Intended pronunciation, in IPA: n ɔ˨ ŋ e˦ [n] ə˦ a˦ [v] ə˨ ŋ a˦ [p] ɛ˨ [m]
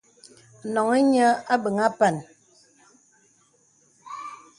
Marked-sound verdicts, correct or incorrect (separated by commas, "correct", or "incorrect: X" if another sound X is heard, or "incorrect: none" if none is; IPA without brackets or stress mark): incorrect: ɲ, incorrect: b, correct, incorrect: n